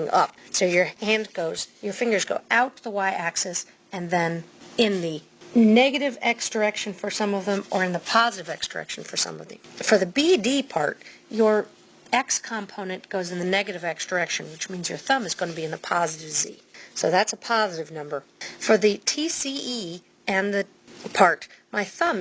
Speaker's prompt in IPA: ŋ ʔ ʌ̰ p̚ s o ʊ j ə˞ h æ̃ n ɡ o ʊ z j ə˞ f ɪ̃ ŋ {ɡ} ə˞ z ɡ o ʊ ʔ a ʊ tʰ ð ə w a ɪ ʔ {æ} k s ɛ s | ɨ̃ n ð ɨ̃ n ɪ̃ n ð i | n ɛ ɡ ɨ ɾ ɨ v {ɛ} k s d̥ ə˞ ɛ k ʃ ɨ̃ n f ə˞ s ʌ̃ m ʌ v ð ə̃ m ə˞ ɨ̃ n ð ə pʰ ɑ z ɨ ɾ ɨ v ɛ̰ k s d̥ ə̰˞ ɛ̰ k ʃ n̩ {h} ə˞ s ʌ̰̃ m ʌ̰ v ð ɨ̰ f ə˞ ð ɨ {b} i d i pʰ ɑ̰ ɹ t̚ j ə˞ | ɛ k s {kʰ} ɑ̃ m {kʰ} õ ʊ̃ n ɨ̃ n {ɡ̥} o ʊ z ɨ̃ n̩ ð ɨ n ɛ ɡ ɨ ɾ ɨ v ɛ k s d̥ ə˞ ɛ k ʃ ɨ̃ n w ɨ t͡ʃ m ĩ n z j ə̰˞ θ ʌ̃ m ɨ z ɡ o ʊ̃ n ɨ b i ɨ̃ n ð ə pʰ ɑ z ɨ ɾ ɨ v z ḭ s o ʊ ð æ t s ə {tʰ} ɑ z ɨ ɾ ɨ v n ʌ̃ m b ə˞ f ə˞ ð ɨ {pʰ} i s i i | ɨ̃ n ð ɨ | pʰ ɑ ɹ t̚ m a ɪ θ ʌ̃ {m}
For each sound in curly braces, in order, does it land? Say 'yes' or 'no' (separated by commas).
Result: yes, yes, yes, no, yes, yes, no, yes, no, no, yes